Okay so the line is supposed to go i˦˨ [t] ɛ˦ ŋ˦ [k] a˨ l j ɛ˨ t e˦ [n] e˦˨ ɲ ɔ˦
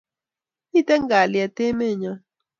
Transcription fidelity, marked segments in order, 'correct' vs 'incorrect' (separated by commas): correct, incorrect, incorrect